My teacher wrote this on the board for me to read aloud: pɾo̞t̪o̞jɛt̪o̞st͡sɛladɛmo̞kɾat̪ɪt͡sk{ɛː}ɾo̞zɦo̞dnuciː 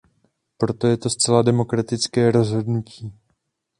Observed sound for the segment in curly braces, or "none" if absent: ɛː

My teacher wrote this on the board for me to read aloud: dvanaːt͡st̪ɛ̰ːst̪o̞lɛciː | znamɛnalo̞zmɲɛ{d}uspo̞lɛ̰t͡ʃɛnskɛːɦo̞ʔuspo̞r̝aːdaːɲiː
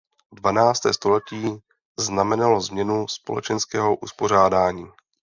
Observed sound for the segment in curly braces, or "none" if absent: n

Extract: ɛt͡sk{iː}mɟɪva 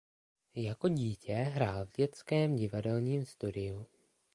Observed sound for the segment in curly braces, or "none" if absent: ɛː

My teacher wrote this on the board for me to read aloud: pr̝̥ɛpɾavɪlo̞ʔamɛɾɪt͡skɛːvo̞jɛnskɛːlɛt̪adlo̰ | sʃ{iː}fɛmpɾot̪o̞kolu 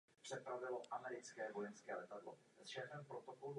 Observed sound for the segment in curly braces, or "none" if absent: ɛː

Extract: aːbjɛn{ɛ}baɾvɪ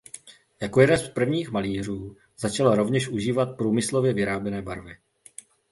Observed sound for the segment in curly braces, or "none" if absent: ɛː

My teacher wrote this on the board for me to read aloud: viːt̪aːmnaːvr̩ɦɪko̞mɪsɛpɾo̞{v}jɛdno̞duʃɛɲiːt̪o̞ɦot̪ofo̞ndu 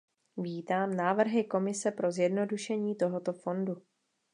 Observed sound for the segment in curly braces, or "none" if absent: z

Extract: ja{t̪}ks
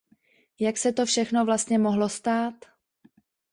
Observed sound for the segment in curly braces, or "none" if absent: none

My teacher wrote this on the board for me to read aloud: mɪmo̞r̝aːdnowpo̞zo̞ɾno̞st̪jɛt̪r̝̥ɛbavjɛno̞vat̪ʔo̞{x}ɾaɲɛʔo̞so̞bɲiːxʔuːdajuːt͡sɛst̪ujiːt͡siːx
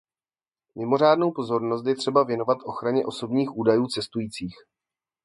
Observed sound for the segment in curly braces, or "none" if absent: x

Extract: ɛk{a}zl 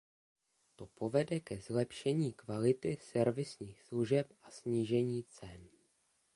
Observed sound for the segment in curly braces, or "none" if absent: ɛ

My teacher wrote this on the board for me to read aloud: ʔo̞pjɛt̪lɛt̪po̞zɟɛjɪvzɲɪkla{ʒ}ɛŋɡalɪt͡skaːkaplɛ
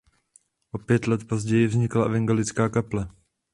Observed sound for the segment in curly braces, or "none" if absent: v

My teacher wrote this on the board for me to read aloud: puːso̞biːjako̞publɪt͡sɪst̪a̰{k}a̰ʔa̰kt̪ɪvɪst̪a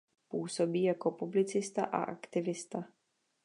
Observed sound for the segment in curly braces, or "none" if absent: ʔ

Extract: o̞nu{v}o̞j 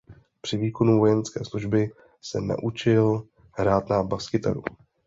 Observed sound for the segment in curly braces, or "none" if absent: v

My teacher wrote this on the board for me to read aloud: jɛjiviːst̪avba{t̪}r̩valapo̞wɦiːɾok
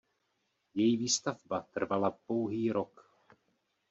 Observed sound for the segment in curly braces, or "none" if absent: t̪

